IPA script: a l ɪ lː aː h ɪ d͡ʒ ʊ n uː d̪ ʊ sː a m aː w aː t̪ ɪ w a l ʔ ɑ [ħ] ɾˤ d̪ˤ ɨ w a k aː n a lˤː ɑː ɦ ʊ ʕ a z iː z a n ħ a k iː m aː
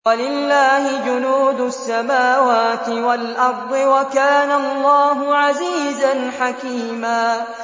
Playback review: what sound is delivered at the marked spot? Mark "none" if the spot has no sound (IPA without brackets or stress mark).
none